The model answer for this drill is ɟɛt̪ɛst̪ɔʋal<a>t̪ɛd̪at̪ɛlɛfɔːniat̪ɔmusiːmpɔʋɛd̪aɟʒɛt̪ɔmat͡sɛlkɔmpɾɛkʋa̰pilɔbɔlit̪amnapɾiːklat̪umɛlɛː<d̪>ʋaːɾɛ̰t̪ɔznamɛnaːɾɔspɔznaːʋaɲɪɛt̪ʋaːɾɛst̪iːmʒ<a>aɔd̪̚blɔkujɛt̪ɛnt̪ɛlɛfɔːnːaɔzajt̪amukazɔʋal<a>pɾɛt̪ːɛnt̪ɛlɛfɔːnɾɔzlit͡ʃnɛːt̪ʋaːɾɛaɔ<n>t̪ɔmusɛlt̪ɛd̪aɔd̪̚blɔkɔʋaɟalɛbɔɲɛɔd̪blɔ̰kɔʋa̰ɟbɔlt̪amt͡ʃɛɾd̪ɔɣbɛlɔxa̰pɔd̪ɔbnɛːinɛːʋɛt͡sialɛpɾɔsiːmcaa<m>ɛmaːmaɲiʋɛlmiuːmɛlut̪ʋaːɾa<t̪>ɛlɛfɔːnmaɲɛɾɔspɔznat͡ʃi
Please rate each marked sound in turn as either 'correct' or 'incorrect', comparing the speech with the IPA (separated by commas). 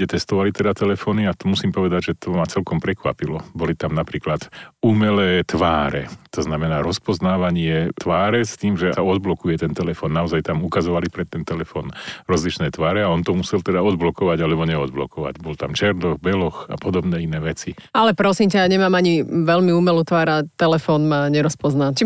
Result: incorrect, incorrect, incorrect, incorrect, correct, incorrect, correct